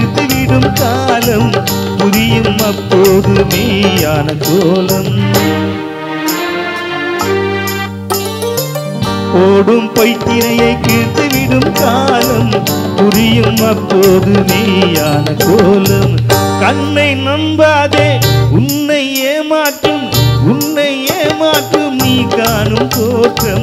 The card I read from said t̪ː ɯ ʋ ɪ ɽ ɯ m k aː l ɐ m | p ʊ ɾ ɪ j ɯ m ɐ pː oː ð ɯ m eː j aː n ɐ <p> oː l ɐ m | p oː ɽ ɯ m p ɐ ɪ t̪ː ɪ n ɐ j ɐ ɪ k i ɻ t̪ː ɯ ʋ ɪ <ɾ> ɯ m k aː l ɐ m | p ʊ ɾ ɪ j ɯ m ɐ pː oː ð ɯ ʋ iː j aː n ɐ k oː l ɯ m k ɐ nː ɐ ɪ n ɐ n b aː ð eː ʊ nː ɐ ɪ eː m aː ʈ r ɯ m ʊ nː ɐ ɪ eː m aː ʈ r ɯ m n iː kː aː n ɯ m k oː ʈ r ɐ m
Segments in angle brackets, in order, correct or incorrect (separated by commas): incorrect, incorrect